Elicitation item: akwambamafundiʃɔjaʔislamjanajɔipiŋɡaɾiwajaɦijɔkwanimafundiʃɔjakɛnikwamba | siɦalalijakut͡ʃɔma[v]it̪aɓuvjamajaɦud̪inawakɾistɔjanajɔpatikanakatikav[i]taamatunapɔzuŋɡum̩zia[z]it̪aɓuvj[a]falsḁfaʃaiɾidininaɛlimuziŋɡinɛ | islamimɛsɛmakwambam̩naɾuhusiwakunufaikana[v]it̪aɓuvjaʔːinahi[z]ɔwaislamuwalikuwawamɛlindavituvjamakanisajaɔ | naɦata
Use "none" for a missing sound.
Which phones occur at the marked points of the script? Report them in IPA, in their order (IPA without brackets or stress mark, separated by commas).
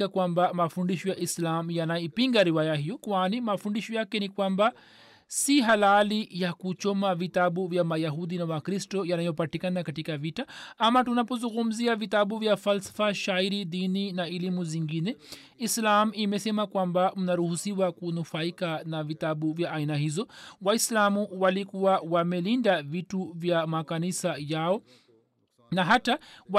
v, i, v, a, v, z